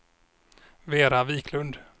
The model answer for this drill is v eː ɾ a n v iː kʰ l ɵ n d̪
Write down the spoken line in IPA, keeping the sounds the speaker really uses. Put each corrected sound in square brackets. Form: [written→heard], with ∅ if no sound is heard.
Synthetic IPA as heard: v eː ɾ a [n→∅] v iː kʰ l ɵ n d̪